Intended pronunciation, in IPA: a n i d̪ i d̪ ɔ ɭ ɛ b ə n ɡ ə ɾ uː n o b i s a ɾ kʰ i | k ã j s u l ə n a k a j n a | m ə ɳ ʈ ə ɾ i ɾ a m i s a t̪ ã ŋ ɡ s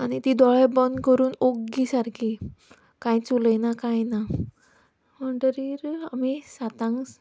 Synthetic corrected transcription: a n i t̪ i d̪ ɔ ɭ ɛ b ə n k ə ɾ uː n o ɡ i s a ɾ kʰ i | k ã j t͡s u l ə n a k a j n a | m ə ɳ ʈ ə ɾ i ɾ a m i s a t̪ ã ŋ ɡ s